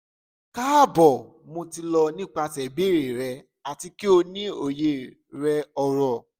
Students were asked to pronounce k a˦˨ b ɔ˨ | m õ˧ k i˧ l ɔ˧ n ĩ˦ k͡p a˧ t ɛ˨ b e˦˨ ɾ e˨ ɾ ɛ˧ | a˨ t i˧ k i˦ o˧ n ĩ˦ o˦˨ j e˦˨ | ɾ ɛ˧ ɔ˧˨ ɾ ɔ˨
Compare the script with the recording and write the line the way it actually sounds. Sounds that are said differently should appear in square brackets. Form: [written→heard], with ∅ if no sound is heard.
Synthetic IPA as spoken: k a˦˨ b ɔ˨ | m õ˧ [k→t] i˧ l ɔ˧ n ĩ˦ k͡p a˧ t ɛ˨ b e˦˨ ɾ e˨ ɾ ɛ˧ | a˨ t i˧ k i˦ o˧ n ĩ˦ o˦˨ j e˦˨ | ɾ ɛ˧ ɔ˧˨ ɾ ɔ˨